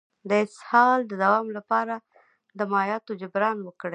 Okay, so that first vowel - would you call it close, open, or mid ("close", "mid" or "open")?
mid